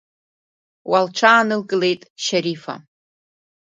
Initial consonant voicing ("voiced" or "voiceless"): voiced